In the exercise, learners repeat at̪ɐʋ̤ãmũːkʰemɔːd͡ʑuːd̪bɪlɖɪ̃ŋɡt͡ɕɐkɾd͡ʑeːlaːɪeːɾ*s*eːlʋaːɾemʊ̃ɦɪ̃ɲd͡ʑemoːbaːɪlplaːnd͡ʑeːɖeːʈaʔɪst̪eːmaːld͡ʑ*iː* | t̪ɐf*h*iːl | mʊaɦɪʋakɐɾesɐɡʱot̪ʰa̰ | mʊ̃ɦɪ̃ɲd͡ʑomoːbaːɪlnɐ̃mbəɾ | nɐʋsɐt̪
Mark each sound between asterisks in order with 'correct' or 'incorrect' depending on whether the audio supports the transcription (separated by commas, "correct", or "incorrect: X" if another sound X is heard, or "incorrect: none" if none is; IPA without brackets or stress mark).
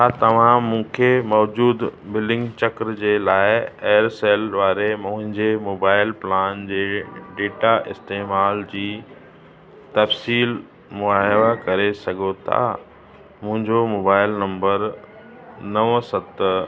correct, correct, incorrect: s